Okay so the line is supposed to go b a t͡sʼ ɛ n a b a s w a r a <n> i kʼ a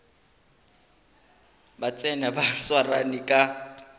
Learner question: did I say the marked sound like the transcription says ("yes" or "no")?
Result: yes